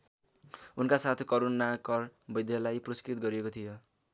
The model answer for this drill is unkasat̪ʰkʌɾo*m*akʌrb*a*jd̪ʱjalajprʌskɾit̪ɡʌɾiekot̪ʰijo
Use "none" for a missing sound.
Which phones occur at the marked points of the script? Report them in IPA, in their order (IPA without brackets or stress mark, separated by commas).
n, ʌ